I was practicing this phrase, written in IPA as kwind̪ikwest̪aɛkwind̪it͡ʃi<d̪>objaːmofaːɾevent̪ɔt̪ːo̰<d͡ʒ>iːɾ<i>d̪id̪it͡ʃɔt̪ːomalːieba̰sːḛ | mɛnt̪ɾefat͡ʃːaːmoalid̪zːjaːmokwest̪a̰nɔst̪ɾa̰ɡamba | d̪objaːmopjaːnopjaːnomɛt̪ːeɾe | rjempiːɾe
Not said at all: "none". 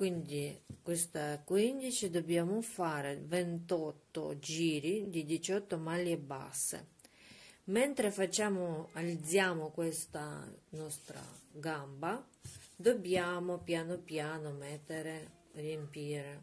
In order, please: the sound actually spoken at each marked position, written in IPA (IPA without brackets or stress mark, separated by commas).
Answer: d̪, d͡ʒ, i